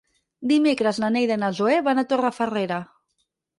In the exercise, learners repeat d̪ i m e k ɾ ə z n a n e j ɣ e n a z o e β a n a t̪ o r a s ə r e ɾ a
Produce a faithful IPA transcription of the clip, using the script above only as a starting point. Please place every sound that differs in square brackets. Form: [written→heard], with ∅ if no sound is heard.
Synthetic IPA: d̪ i m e k ɾ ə z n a n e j [ɣ→ð] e n a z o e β a n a t̪ o r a [s→f] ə r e ɾ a

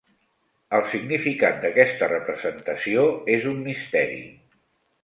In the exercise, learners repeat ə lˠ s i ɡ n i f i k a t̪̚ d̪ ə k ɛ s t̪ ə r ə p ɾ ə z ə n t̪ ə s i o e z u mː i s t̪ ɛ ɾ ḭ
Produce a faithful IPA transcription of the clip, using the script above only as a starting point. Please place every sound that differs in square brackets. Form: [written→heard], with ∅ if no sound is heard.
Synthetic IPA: ə lˠ s i ɡ n i f i k a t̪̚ d̪ ə k ɛ s t̪ ə r ə p ɾ ə z ə n t̪ ə s i o e z u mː i s t̪ ɛ ɾ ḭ

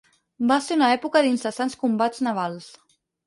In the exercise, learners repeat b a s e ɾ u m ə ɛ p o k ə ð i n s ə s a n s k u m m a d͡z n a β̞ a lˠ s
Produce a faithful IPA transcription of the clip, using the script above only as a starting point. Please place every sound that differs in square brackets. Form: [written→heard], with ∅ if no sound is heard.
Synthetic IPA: b a s e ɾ u [m→n] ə ɛ p [o→u] k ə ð i n s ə s a n s k u m [m→b] a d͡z n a β̞ a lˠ s

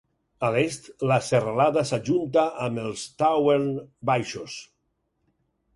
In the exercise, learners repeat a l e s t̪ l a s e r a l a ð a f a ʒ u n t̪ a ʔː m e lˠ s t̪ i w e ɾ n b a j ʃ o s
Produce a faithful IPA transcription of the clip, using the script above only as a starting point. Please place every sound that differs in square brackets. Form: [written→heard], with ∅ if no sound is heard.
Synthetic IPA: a l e s t̪ l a s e r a l a ð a [f→s] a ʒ u n t̪ a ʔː m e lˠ s t̪ [i→a] w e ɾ n b a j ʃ o s

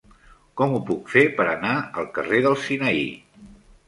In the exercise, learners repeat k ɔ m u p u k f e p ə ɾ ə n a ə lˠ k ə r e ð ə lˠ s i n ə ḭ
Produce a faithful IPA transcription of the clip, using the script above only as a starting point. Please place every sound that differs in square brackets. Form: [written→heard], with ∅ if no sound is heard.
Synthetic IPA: k ɔ m u p u k f e p ə ɾ ə n a ə lˠ k ə r e ð ə lˠ s i n ə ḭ

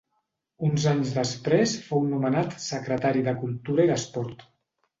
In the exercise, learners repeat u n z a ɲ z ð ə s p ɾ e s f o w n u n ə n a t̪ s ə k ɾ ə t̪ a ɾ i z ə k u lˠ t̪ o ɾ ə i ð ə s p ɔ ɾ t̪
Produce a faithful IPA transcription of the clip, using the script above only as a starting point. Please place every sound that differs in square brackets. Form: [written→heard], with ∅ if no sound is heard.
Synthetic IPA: u n z a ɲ z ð ə s p ɾ e s f o w n u [n→m] ə n a t̪ s ə k ɾ ə t̪ a ɾ i [z→ð] ə k u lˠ t̪ [o→u] ɾ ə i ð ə s p ɔ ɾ t̪

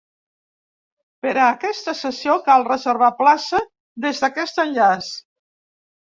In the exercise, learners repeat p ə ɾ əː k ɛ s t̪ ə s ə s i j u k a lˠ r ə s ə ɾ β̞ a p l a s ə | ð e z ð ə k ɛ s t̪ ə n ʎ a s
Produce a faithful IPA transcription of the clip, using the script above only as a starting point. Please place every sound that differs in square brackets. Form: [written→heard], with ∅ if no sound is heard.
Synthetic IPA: p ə ɾ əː k ɛ s t̪ ə s ə s i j [u→o] k a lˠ r ə [s→z] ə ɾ β̞ a p l a s ə | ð e z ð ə k ɛ s t̪ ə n ʎ a s

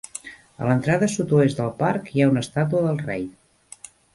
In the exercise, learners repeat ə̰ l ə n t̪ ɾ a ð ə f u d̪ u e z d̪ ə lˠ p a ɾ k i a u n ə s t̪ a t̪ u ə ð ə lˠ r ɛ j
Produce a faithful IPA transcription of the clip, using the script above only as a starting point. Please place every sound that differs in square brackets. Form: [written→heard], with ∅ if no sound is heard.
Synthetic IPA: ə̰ l ə n t̪ ɾ a ð ə [f→s] u [d̪→t̪] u e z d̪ ə lˠ p a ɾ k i a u n ə s t̪ a t̪ u ə ð ə lˠ r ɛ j

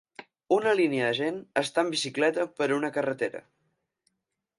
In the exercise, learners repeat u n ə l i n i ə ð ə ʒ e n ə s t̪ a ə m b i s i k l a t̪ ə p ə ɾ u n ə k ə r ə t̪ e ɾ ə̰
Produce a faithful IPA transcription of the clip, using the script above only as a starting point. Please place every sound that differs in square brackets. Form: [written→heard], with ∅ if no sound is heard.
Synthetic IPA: u n ə l i n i ə ð ə ʒ e n ə s t̪ a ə m b i s i k l [a→ɛ] t̪ ə p ə ɾ u n ə k ə r ə t̪ e ɾ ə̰

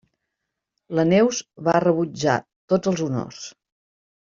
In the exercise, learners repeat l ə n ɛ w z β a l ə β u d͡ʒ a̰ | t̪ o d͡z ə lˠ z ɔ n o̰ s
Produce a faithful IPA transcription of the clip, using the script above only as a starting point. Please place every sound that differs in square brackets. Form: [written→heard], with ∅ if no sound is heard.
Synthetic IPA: l ə n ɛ w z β a [l→r] ə β u d͡ʒ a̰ | t̪ o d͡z ə lˠ z [ɔ→u] n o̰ s

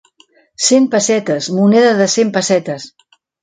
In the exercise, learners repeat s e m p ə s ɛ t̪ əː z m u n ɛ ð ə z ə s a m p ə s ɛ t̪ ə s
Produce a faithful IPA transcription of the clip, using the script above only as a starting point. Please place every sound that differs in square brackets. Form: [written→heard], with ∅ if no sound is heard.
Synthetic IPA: s e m p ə s ɛ t̪ [əː→ə] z m u n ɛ ð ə [z→ð] ə s [a→e] m p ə s ɛ t̪ ə s

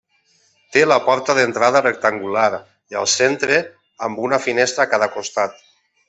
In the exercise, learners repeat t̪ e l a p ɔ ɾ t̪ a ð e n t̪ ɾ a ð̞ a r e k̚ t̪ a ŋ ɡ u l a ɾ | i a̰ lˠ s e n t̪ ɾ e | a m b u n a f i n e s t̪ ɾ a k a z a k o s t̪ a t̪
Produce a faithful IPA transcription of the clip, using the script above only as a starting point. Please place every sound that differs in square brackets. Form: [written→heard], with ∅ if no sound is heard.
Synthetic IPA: t̪ e l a p ɔ ɾ t̪ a ð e n t̪ ɾ a ð̞ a r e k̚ t̪ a ŋ ɡ u l a ɾ | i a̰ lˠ s e n t̪ ɾ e | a m b u n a f i n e s t̪ ɾ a k a [z→ð] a k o s t̪ a t̪

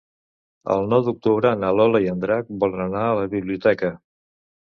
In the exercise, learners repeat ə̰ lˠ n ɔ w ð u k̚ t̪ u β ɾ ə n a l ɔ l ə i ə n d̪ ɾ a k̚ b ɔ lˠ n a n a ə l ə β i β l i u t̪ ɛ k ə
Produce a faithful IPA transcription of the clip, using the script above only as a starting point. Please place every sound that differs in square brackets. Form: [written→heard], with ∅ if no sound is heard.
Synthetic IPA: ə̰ lˠ n ɔ w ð u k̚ t̪ u β ɾ ə n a l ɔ l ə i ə n d̪ ɾ a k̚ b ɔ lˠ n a n a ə l ə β i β l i u t̪ ɛ k ə

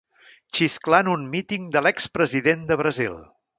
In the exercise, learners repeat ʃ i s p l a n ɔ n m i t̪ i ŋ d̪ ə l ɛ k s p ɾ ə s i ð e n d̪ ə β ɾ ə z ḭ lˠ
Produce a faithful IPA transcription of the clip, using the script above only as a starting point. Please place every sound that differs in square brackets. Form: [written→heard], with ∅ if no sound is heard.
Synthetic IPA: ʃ i s [p→k] l a n [ɔ→u] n m i t̪ i ŋ d̪ ə l ɛ k s p ɾ ə [s→z] i ð e n d̪ ə β ɾ ə z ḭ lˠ

